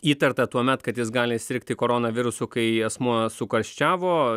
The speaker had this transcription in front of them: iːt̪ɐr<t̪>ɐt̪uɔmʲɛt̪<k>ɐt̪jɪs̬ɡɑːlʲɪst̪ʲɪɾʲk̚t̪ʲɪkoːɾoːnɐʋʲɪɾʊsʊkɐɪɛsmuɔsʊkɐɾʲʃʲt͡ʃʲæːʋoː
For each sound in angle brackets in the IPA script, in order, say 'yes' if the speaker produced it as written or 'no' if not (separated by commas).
yes, yes